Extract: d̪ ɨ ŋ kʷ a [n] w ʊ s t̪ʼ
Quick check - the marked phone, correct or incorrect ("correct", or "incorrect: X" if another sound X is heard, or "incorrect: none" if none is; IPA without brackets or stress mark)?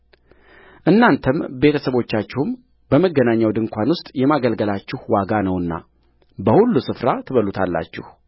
correct